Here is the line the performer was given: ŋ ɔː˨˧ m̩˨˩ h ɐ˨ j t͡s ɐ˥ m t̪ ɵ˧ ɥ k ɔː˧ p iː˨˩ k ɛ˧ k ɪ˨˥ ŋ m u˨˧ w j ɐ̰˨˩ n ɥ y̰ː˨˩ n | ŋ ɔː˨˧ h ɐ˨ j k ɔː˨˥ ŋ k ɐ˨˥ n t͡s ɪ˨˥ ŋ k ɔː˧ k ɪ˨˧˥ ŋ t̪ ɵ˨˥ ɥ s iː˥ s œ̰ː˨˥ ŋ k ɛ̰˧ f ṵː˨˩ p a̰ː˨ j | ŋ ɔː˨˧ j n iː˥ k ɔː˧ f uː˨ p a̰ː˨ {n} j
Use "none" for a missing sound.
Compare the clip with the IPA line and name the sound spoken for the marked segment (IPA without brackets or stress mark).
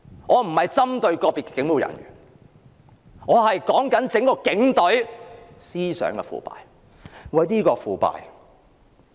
none